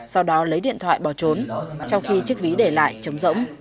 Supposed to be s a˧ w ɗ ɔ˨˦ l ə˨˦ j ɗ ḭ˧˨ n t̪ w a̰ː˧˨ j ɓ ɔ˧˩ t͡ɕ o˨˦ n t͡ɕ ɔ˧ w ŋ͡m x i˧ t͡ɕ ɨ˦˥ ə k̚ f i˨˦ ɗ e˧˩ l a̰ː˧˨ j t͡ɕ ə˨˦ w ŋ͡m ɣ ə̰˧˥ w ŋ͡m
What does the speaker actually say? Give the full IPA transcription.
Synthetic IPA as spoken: s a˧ w ɗ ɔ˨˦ l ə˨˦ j ɗ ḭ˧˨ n t̪ʰ w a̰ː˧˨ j ɓ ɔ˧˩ t͡ɕ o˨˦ n t͡ɕ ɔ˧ w ŋ͡m x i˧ t͡ɕ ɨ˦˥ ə k̚ v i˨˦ ɗ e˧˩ l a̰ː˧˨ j t͡ɕ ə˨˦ w ŋ͡m z ə̰˧˥ w ŋ͡m